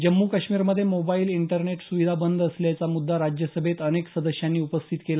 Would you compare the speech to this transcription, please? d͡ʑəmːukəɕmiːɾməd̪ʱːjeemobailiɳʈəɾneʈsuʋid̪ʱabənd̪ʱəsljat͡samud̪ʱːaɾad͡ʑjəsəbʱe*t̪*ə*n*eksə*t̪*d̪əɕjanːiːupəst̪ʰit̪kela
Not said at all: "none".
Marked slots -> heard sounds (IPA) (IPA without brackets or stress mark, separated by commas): t̪, n, none